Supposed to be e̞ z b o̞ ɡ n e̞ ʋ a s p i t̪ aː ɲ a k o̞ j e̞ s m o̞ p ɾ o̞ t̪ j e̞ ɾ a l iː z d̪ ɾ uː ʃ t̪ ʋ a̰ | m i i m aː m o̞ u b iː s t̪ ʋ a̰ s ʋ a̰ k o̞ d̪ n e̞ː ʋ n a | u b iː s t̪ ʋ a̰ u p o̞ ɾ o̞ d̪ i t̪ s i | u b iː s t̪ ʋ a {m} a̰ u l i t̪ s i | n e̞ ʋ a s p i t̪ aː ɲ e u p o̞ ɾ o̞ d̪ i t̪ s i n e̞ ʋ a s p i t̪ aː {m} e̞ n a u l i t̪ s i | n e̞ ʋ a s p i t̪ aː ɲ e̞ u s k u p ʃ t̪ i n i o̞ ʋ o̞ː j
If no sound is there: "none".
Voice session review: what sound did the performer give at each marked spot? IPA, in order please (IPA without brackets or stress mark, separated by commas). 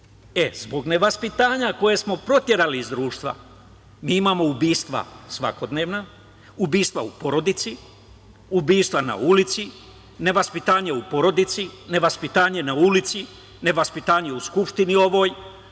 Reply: n, ɲ